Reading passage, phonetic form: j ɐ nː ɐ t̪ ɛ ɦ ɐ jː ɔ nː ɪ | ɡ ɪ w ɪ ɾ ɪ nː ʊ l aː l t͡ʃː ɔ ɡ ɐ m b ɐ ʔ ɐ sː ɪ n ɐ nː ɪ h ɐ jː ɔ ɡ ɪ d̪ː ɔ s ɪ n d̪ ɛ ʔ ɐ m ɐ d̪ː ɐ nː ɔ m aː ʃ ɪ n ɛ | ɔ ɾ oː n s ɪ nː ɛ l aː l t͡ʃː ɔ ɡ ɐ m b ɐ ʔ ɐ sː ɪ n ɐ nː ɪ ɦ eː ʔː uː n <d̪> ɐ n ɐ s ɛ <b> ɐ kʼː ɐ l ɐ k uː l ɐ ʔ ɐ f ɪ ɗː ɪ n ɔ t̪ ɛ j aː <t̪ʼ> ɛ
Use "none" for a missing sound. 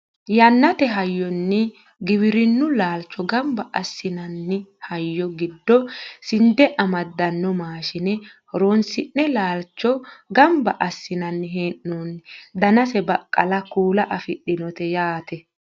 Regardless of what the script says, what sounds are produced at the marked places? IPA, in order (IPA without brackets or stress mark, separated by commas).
d̪, b, t̪